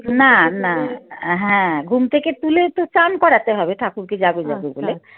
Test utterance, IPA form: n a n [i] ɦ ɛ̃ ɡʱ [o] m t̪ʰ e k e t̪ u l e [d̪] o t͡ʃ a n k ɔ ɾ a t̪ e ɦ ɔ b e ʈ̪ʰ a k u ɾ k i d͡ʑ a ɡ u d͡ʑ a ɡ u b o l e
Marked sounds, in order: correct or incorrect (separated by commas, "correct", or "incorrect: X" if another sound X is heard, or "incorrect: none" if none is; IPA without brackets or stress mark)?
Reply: incorrect: a, incorrect: u, incorrect: t̪